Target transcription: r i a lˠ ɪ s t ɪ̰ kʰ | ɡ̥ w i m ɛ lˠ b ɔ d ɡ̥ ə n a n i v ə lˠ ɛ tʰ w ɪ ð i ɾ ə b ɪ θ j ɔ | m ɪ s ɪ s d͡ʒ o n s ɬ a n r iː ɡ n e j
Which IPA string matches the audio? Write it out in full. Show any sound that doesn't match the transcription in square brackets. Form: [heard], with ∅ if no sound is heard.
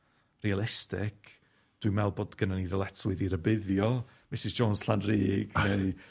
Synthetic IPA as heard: r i a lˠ ɪ s t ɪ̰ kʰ | [d̥] w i m ɛ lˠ b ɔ d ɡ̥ ə n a n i [ð] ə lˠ ɛ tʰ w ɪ ð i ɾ ə b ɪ [ð] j ɔ | m ɪ s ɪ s d͡ʒ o n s ɬ a n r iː ɡ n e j